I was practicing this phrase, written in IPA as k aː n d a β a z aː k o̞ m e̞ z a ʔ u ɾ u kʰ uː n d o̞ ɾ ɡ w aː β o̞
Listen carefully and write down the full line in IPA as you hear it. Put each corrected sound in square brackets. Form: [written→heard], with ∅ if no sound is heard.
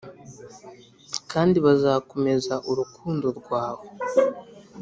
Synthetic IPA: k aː n d [a→i] β a z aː k o̞ m e̞ z a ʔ u ɾ u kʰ uː n d o̞ ɾ ɡ w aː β o̞